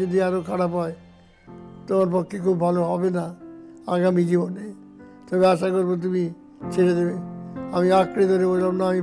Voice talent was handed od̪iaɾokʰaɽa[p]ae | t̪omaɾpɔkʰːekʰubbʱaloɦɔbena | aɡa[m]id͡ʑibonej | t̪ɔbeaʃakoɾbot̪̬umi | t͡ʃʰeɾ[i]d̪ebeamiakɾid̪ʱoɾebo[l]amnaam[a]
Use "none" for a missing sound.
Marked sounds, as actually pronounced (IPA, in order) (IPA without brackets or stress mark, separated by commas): p, m, e, l, i